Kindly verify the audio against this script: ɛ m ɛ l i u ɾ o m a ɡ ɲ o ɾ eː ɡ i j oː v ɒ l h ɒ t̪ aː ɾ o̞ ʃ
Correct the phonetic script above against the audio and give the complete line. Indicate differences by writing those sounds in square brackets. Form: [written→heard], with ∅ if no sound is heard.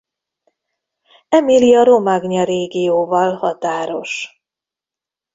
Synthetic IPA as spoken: ɛ m [ɛ→i] l i [u→ɒ] ɾ o m a ɡ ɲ [o→ɒ] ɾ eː ɡ i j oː v ɒ l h ɒ t̪ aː ɾ o̞ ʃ